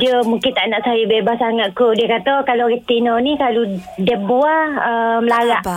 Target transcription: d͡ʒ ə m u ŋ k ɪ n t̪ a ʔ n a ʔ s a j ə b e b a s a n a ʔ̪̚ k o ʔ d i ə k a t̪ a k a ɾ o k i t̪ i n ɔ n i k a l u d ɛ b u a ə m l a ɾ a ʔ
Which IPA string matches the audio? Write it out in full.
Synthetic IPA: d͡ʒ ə m u ŋ k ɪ n t̪ a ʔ n a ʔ s a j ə b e b a s a ŋ a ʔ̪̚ k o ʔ d i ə k a t̪ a k a l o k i t̪ i n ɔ n i k a l u d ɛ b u a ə m l a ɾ a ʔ